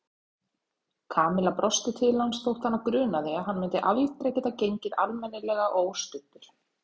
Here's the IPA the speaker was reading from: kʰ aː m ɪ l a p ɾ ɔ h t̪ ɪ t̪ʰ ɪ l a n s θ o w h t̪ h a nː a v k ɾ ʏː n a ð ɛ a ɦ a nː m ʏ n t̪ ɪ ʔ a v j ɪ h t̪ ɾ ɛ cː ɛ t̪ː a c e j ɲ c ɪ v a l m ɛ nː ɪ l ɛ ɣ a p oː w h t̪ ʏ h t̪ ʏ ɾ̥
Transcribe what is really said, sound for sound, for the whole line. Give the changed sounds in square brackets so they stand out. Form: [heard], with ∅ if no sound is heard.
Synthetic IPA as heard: kʰ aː m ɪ l a p ɾ ɔ [s] t̪ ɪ t̪ʰ ɪ l a n s θ o w h t̪ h a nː a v k ɾ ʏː n a ð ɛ a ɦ a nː m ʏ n t̪ ɪ ʔ a v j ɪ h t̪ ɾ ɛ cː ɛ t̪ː a c e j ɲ c ɪ [ð] a l m ɛ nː ɪ l ɛ ɣ a [ʔ] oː w [s] t̪ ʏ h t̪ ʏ ɾ̥